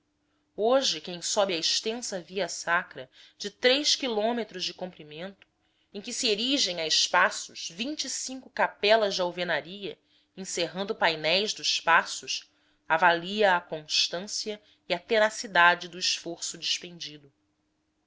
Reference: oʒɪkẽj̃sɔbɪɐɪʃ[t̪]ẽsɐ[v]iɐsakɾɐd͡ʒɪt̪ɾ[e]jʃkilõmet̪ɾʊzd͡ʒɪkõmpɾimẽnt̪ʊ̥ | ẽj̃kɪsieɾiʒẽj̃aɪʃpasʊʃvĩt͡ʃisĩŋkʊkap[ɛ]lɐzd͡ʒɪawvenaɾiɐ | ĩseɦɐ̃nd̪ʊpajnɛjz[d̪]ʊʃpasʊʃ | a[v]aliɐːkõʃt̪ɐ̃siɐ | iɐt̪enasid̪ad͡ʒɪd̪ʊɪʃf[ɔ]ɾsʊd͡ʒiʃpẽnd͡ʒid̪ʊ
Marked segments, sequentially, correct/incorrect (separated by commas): correct, correct, correct, correct, correct, correct, incorrect